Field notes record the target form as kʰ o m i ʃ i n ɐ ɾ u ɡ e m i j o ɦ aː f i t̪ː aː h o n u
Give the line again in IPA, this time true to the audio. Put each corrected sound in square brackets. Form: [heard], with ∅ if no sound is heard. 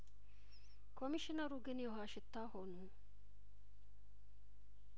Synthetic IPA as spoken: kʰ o m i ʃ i n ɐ ɾ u ɡ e [n] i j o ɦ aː [ʃ] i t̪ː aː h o n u

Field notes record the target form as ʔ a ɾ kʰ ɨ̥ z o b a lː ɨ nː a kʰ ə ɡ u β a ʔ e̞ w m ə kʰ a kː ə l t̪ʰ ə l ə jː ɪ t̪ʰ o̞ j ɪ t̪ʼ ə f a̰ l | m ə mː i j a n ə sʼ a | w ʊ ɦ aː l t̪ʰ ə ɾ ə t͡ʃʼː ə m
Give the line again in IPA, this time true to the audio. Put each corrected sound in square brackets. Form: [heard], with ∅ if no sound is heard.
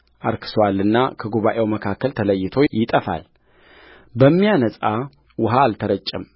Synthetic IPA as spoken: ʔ a ɾ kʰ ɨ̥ [s] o [w] a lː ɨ nː a kʰ ə ɡ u β a ʔ e̞ w m ə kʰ a kː ə l t̪ʰ ə l ə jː ɪ t̪ʰ o̞ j ɪ t̪ʼ ə f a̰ l | [b] ə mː i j a n ə sʼ a | w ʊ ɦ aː l t̪ʰ ə ɾ ə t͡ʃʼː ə m

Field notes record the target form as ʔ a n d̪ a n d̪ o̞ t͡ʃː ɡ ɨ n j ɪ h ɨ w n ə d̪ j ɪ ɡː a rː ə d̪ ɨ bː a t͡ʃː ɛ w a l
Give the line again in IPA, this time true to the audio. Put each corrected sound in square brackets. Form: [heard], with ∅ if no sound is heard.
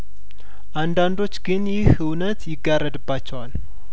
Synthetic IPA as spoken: ʔ a n d̪ a n d̪ o̞ t͡ʃː ɡ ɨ n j ɪ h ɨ w n ə [t̪] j ɪ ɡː a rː ə d̪ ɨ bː a t͡ʃː ɛ w a l

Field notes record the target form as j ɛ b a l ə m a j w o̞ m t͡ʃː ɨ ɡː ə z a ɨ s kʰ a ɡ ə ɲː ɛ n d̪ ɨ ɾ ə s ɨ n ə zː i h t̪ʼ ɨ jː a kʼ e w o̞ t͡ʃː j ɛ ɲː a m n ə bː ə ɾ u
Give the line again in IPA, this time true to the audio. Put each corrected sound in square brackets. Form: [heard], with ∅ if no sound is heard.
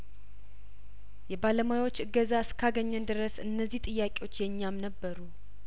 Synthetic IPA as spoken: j ɛ b a l ə m a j w o̞ [∅] t͡ʃː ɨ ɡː ə z a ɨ s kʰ a ɡ ə ɲː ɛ n d̪ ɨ ɾ ə s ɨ [nː] ə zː i h t̪ʼ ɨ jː a kʼ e w o̞ t͡ʃː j ɛ ɲː a m n ə bː ə ɾ u

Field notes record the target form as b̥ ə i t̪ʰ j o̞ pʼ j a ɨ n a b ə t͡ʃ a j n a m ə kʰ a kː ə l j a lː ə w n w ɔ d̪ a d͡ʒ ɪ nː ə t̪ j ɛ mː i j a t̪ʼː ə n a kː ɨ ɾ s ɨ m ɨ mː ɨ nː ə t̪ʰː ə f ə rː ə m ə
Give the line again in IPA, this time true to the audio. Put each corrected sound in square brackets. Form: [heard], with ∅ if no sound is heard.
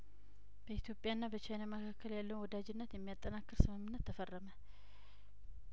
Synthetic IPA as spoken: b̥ ə i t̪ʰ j o̞ pʼ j a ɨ [nː] a b ə t͡ʃ a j n a m ə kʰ a kː ə l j a lː ə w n w ɔ d̪ a d͡ʒ ɪ nː ə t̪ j ɛ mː i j a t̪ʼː ə n a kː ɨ ɾ s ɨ m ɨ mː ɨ nː ə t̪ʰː ə f ə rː ə m ə

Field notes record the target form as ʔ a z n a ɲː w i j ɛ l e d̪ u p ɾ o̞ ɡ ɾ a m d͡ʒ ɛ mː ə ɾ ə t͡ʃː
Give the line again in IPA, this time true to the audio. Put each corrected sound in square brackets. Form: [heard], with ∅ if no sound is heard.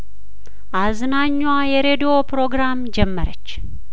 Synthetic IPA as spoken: ʔ a z n a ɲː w [a] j ɛ [ɾ] e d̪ [o] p ɾ o̞ ɡ ɾ a m d͡ʒ ɛ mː ə ɾ ə t͡ʃː

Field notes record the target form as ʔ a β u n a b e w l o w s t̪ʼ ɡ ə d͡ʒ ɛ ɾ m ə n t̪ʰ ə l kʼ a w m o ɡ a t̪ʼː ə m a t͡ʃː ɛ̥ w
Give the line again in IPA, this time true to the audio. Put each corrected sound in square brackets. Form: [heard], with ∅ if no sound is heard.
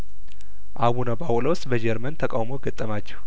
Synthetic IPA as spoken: ʔ a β u n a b [a] w l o w s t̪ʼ [b] ə d͡ʒ ɛ ɾ m ə n t̪ʰ ə [∅] kʼ a w m o ɡ [ə] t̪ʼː ə m a t͡ʃː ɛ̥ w

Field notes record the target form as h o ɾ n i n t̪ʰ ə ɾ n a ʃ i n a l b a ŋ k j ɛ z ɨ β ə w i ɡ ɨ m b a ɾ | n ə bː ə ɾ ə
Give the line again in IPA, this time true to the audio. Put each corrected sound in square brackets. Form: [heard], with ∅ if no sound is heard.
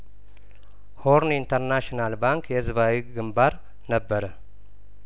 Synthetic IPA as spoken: h o ɾ n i n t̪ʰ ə ɾ n a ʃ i n a l b a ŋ k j ɛ z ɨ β [a] w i ɡ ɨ m b a ɾ | n ə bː ə ɾ ə

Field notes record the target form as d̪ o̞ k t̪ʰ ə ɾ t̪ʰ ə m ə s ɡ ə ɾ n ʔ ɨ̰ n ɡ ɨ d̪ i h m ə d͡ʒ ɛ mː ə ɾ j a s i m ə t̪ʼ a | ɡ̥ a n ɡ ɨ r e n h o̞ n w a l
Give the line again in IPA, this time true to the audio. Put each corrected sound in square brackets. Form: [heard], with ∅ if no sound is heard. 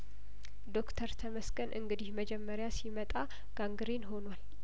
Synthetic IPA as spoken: d̪ o̞ k t̪ʰ ə ɾ t̪ʰ ə m ə s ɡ ə [∅] n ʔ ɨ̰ [ŋ] ɡ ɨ d̪ i h m ə d͡ʒ ɛ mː ə ɾ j a s i m ə t̪ʼ a | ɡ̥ a [ŋ] ɡ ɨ [ɾ] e n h o̞ n w a l

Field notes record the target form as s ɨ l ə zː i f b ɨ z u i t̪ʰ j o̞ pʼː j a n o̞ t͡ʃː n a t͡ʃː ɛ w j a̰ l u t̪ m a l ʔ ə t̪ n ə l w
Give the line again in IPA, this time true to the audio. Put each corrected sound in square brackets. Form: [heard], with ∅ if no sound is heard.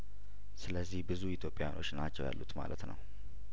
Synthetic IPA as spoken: s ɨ l ə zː i [h] b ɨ z u i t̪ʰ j o̞ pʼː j a n o̞ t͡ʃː n a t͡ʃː ɛ w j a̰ [lː] u t̪ m a l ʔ ə t̪ n ə [∅] w

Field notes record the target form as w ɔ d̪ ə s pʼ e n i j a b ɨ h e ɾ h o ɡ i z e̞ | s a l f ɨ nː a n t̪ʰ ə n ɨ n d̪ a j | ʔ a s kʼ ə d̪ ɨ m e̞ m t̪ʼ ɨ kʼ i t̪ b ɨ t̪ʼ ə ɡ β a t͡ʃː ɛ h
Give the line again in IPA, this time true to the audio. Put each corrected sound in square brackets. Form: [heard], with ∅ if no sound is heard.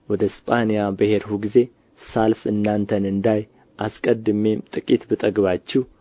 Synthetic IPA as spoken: w ɔ d̪ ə s pʼ [a] n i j a b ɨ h e ɾ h [u] ɡ i z e̞ | s a l f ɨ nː a n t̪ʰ ə n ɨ n d̪ a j | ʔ a s kʼ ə d̪ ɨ m e̞ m t̪ʼ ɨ kʼ i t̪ b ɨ t̪ʼ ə ɡ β a t͡ʃː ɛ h

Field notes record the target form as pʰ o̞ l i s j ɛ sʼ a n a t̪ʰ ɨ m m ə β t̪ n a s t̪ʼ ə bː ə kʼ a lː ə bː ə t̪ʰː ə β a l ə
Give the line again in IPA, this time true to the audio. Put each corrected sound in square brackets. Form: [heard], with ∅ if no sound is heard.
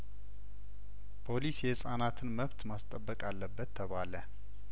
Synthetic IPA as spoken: pʰ o̞ l i s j ɛ sʼ a n a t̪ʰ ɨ [n] m ə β t̪ [m] a s t̪ʼ ə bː ə kʼ a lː ə bː ə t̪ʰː ə β a l ə

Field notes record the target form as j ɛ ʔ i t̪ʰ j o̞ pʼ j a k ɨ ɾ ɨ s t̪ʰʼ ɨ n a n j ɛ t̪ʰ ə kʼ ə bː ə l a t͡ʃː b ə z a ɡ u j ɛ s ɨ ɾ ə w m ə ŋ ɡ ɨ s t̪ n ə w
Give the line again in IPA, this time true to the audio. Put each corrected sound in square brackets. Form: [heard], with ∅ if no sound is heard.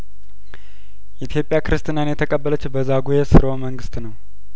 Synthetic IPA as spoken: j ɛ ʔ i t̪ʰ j o̞ pʼ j a k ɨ ɾ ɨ s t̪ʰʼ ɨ n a n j ɛ t̪ʰ ə kʼ ə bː ə l [ə] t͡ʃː b ə z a ɡ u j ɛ s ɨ ɾ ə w m ə ŋ ɡ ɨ s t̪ n ə w

